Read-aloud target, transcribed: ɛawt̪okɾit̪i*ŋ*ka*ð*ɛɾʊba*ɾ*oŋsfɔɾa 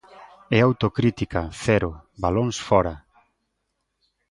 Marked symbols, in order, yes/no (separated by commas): no, no, no